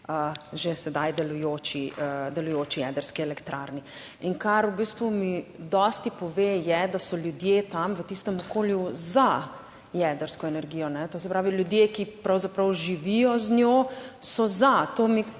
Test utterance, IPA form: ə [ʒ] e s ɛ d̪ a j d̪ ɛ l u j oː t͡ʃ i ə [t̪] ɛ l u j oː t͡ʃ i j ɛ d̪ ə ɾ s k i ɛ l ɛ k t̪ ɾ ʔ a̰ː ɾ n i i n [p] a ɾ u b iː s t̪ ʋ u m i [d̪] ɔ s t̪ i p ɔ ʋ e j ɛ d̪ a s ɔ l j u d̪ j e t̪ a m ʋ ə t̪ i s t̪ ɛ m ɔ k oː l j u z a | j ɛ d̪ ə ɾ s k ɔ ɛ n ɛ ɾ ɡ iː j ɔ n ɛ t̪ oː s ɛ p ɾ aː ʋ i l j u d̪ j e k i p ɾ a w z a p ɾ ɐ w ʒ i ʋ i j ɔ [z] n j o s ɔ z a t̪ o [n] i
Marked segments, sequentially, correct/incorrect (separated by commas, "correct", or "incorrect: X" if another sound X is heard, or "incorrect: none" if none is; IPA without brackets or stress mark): correct, incorrect: d̪, incorrect: k, correct, correct, incorrect: m